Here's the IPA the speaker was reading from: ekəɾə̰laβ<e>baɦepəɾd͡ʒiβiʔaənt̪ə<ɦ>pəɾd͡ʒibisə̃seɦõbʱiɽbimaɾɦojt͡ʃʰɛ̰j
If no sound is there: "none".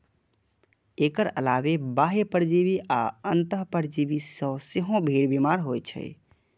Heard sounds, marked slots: e, ɦ

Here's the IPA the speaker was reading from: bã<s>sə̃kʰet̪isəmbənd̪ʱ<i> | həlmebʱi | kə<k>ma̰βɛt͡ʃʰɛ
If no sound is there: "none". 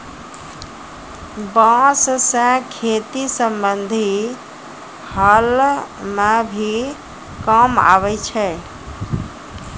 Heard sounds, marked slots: s, i, none

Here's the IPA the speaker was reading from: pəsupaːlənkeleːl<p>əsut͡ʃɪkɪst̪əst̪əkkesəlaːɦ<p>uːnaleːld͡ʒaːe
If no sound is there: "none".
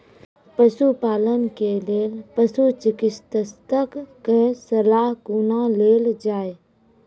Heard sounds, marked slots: p, k

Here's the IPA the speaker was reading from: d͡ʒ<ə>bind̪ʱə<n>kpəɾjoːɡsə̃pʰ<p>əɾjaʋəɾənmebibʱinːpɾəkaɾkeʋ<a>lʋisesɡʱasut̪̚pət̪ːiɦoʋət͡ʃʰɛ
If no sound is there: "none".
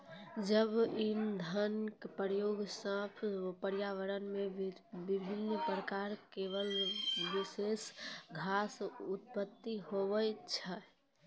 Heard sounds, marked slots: ə, n, p, ə

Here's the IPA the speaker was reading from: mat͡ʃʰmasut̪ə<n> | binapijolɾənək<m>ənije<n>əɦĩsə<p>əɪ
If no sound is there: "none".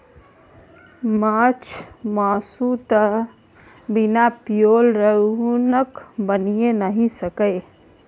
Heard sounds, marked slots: none, b, n, k

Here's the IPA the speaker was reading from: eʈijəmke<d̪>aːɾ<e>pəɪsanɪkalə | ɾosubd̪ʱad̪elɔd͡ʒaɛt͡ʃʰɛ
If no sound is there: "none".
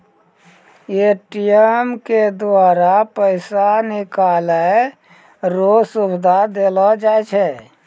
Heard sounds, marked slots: d̪, a

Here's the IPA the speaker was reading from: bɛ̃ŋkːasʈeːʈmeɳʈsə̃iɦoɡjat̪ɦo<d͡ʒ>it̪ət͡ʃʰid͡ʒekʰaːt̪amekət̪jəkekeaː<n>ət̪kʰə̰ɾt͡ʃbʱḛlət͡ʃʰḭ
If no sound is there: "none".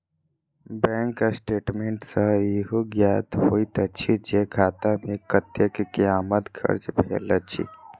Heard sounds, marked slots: none, m

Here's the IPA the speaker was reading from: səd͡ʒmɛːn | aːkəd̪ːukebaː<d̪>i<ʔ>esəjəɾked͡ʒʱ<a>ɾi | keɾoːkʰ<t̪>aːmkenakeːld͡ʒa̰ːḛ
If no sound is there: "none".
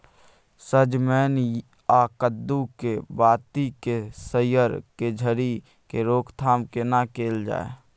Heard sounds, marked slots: t̪, k, ə, t̪ʰ

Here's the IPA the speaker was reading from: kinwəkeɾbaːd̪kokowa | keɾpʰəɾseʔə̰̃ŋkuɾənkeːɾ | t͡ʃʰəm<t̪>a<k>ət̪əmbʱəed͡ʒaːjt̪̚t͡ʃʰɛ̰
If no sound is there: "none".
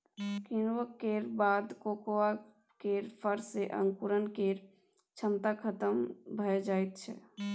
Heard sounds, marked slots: t̪, kʰ

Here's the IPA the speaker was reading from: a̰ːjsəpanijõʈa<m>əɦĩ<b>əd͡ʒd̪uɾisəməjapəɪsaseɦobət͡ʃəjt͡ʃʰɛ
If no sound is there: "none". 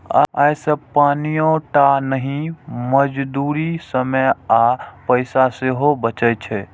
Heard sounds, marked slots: n, m

